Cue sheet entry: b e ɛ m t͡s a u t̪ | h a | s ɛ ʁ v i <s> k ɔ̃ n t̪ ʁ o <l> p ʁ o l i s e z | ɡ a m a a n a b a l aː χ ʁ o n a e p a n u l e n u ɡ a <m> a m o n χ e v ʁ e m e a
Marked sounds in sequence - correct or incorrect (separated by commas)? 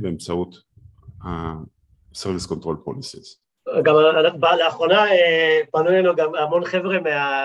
correct, correct, correct